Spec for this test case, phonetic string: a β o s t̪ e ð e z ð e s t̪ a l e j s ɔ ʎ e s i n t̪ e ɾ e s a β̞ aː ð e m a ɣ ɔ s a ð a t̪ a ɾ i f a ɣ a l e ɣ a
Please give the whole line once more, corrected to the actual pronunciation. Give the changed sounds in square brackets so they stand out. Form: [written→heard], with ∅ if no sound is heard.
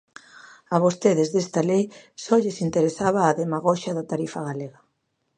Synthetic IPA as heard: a β o s t̪ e ð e z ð e s t̪ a l e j s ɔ ʎ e s i n t̪ e ɾ e s a β̞ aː ð e m a ɣ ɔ [s→ʃ] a ð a t̪ a ɾ i f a ɣ a l e ɣ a